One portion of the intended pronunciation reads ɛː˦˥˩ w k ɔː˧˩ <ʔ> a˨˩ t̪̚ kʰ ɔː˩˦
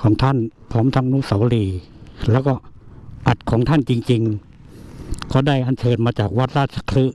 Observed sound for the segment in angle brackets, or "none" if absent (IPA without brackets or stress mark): ʔ